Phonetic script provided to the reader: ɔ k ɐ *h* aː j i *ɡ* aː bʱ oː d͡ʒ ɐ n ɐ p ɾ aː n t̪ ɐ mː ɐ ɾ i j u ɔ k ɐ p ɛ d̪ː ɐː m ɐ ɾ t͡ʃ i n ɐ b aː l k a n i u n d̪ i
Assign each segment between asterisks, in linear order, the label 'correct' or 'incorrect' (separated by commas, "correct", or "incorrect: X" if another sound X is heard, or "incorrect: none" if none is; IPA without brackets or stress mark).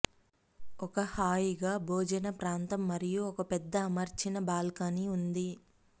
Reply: correct, correct